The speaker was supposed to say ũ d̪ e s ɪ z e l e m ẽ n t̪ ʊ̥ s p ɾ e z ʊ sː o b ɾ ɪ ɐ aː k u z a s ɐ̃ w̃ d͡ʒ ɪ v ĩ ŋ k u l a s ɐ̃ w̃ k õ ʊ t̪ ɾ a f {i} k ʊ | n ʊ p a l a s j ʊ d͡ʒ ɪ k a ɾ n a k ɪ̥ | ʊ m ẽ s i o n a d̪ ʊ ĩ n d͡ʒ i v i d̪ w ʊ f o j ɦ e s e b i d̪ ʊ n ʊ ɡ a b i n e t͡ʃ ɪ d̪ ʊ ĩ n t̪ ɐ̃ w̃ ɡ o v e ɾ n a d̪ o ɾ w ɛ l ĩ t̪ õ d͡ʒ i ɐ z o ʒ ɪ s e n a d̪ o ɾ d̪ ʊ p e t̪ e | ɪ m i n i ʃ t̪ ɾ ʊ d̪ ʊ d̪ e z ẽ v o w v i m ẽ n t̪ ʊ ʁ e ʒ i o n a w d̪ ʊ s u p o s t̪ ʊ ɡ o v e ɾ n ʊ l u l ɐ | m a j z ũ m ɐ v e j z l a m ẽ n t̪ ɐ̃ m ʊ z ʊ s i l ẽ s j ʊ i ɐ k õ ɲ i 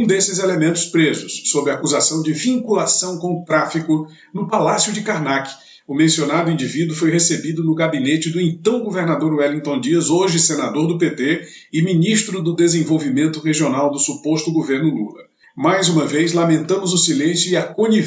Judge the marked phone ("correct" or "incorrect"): correct